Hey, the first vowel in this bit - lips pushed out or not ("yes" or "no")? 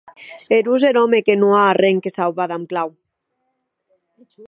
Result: no